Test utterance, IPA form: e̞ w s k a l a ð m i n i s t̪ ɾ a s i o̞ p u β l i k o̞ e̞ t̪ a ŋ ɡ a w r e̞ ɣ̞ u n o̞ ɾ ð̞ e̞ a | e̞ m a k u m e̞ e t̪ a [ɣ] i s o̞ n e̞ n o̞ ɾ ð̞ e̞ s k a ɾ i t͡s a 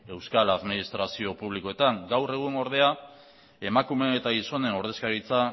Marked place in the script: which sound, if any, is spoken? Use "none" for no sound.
ɣ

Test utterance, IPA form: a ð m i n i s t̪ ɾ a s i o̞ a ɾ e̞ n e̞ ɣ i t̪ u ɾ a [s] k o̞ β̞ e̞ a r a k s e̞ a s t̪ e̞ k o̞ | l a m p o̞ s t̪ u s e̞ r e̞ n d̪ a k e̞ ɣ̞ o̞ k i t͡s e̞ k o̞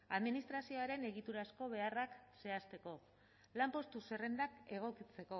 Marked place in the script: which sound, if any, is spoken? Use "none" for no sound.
s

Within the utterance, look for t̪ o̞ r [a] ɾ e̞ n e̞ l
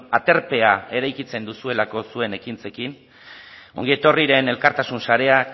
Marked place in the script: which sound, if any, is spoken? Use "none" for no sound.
i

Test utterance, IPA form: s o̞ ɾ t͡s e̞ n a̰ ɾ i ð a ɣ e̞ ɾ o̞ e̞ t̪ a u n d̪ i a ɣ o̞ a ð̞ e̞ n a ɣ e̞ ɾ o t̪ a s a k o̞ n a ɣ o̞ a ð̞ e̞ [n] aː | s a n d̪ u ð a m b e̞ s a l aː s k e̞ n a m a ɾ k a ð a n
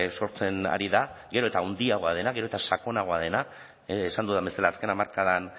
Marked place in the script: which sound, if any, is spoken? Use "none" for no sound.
n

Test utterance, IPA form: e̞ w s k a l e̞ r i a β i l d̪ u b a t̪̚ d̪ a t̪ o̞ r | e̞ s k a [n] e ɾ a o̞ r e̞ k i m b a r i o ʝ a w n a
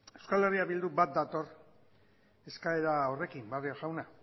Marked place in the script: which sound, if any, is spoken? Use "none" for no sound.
none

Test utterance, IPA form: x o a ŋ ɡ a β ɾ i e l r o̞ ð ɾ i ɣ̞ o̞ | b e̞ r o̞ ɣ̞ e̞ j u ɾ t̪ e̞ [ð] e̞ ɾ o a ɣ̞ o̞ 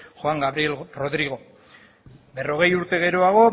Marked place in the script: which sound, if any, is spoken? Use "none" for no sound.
ɣ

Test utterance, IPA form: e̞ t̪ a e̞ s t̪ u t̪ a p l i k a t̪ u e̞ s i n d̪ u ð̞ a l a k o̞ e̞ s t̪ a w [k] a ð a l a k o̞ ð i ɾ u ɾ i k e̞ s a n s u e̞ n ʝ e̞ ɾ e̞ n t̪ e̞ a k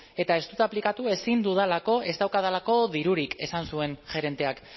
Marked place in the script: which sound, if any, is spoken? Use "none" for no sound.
k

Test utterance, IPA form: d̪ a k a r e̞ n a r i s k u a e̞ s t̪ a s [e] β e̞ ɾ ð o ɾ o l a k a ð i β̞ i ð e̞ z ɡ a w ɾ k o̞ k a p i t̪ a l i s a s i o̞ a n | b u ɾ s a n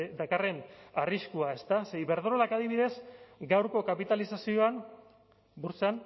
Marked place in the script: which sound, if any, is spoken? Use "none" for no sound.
e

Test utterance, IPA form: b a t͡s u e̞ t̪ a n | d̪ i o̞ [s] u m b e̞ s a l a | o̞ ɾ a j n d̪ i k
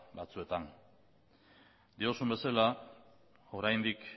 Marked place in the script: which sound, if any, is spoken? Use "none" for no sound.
s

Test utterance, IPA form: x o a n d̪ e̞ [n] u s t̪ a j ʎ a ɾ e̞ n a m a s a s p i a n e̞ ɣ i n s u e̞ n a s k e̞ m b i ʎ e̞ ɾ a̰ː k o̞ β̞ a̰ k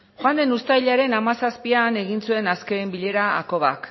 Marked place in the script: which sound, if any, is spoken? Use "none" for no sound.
n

